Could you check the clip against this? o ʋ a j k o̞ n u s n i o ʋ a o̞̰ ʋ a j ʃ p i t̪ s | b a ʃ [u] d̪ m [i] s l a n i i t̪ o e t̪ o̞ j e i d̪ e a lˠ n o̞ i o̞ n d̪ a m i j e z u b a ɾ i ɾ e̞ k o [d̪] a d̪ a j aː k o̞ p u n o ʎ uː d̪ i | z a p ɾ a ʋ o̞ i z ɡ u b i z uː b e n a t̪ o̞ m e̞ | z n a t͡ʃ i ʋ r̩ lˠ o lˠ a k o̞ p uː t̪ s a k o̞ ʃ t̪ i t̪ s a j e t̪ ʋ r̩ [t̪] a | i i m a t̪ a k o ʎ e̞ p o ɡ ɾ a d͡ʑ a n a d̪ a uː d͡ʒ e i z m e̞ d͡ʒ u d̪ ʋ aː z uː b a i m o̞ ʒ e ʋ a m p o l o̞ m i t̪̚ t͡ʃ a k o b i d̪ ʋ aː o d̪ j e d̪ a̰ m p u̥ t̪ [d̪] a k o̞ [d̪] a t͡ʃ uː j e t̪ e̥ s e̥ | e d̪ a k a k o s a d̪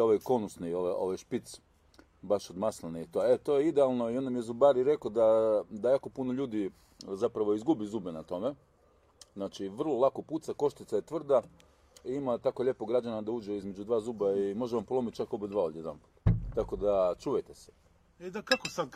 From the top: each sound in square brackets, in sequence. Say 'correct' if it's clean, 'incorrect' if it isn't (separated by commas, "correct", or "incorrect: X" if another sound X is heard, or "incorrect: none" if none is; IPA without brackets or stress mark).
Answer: incorrect: o, incorrect: a, correct, incorrect: d̪, incorrect: t̪, correct